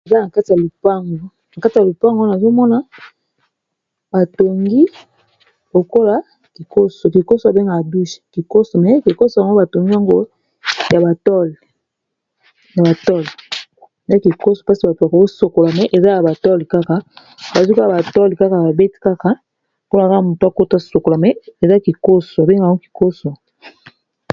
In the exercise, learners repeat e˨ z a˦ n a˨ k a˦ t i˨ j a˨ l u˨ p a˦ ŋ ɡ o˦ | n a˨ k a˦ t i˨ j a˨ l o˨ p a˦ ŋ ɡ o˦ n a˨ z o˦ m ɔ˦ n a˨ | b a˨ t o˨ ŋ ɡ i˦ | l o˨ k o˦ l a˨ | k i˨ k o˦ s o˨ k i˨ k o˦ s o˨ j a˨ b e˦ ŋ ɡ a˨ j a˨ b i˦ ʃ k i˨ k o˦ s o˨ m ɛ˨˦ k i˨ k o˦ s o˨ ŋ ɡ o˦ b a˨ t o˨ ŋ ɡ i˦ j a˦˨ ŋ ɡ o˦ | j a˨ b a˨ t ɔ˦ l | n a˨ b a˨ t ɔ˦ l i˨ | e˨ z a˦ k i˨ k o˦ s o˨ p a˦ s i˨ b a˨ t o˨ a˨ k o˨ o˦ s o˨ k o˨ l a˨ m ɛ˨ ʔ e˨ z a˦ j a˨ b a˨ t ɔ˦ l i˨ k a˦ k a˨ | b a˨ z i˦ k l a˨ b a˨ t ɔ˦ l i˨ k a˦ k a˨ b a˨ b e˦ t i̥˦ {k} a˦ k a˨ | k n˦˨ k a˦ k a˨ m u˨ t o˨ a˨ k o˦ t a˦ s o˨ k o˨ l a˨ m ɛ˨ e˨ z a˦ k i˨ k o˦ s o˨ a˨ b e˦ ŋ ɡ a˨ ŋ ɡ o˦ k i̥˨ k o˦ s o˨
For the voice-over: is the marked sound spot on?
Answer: yes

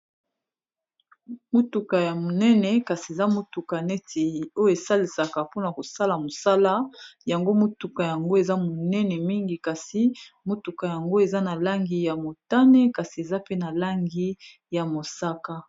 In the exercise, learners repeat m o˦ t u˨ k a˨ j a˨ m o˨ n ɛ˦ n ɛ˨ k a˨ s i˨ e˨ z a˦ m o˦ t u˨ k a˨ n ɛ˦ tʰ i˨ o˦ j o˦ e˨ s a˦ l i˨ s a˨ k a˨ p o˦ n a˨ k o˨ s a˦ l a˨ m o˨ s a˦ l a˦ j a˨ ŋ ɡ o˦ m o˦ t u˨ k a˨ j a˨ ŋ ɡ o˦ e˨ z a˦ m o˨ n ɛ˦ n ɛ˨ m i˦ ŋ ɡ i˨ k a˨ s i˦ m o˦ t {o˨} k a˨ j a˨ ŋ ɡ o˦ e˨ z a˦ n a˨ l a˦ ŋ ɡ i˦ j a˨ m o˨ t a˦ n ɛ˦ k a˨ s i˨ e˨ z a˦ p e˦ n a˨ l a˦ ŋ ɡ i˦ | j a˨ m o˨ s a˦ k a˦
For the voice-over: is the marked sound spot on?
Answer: no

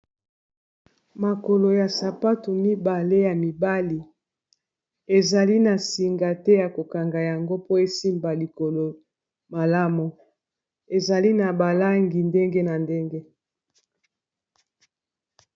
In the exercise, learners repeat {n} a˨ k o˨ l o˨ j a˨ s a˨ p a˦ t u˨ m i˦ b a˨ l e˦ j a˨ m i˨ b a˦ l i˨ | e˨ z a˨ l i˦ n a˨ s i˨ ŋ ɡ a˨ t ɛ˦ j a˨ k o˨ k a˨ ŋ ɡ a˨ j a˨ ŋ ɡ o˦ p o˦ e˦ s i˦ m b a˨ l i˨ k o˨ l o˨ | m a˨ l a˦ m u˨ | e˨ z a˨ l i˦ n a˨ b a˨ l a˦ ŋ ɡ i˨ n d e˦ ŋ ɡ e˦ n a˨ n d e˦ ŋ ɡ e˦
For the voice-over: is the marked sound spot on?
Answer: no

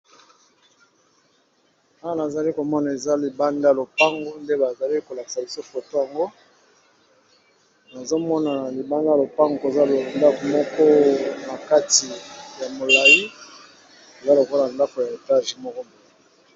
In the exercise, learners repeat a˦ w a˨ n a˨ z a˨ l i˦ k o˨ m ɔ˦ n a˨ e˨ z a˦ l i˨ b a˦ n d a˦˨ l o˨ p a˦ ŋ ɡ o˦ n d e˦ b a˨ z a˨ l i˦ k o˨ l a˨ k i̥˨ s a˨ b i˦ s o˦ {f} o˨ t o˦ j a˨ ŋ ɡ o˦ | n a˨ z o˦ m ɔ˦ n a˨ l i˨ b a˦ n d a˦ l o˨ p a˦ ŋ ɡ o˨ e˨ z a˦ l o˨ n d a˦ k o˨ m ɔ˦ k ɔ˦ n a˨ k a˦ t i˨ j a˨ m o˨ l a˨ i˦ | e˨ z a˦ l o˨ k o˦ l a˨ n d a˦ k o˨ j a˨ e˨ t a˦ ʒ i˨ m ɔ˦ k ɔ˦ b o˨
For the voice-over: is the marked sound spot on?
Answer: yes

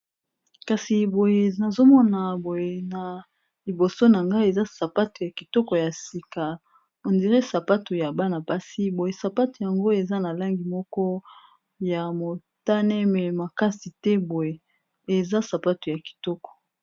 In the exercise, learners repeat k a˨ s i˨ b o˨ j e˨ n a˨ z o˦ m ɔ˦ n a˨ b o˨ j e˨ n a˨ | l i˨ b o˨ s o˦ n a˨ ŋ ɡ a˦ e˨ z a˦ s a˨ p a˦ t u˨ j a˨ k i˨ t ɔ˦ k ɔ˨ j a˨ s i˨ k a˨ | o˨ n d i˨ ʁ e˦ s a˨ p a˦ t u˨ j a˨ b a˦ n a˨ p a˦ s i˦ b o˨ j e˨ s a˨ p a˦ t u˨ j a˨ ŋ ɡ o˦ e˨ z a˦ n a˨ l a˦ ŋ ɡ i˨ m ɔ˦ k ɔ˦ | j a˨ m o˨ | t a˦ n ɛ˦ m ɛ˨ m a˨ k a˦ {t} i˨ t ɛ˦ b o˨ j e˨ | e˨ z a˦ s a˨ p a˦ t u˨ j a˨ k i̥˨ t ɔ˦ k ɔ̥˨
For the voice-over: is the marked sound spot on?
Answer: no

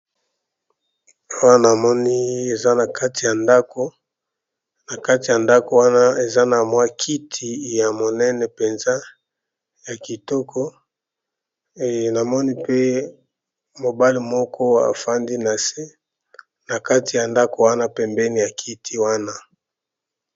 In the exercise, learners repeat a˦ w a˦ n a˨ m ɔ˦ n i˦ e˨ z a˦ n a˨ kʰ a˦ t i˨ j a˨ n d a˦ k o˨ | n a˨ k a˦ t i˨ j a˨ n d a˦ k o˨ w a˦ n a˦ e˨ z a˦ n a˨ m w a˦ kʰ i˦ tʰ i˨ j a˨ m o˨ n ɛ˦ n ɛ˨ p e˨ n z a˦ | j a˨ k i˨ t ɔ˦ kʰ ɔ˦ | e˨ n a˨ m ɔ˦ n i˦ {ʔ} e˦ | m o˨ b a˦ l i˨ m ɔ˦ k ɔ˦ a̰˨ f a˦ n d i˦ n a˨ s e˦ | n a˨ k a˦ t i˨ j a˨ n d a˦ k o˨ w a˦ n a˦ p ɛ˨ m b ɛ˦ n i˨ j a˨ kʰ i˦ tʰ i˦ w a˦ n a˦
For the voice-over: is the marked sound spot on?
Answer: no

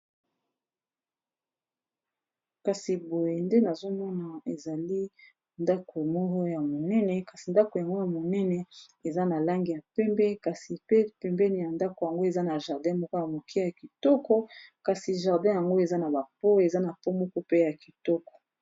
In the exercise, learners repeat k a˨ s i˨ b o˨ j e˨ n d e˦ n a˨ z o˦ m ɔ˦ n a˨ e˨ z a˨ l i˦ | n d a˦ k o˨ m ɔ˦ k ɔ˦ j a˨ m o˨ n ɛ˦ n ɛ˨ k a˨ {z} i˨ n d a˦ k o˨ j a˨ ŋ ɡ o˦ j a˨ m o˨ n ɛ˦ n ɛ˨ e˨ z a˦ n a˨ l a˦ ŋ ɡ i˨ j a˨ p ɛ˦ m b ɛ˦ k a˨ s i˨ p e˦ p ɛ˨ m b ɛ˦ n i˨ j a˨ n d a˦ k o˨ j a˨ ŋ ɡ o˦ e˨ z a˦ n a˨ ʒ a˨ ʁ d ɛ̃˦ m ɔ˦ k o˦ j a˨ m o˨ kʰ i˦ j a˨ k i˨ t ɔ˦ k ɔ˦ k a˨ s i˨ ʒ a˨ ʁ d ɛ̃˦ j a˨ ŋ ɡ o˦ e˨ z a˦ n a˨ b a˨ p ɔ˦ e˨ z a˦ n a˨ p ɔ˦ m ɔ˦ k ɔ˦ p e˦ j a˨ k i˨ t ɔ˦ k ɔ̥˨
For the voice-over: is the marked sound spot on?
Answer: no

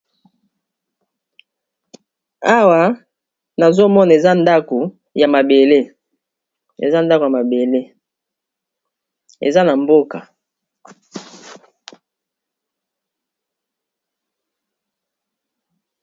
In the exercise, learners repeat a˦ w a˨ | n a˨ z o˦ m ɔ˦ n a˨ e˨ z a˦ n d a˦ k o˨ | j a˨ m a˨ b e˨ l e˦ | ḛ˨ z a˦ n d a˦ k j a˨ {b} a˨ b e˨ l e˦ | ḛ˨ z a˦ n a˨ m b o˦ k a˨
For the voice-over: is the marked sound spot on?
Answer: no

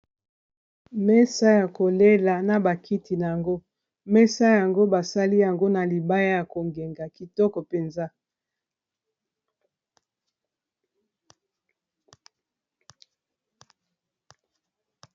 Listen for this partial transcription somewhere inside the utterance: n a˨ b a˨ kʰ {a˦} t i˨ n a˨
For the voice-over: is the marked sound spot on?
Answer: no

